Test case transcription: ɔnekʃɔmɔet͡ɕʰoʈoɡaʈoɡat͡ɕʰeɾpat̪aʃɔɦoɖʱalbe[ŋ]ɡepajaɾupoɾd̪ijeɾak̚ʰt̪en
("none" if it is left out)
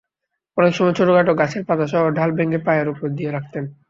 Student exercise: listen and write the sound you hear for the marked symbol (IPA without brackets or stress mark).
ŋ